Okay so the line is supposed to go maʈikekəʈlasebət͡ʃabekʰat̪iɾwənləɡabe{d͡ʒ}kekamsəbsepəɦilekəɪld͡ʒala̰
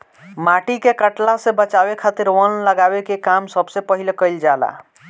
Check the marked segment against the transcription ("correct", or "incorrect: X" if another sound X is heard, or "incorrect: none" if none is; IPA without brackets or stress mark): incorrect: none